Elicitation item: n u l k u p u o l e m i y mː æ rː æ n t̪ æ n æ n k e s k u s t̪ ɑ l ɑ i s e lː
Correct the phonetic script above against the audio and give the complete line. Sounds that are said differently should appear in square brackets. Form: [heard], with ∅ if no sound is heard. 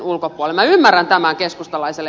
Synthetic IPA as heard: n u l k [o] p u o l e m [æ] y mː æ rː æ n t̪ æ [m] æ [ŋ] k e s k u s t̪ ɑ l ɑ i s e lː